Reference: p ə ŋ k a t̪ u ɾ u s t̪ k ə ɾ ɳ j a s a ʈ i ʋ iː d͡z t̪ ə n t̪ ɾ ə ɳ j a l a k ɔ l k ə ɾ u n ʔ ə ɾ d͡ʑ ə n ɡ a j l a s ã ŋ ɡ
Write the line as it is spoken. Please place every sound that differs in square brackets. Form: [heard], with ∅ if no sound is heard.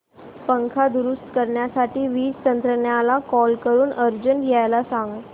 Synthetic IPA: p ə ŋ [kʰ] a [d̪] u ɾ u s t̪ k ə ɾ ɳ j a s a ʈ [iː] ʋ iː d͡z t̪ ə n t̪ ɾ ə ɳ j a l a k ɔ l k ə ɾ [uː] n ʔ ə ɾ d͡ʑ ə n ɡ a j l a s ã ŋ ɡ